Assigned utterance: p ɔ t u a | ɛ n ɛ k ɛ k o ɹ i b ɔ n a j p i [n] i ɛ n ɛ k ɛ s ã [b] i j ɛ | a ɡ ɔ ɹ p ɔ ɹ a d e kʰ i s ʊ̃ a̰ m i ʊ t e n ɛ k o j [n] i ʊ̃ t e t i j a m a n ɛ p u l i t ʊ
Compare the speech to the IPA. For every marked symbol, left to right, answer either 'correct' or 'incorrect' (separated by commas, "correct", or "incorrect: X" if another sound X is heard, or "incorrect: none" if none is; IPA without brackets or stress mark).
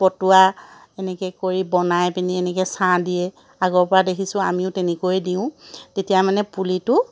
correct, incorrect: d, incorrect: d